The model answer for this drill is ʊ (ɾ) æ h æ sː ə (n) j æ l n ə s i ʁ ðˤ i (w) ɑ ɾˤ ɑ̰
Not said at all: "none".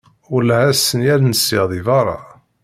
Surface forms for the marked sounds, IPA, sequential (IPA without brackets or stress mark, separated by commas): l, n, v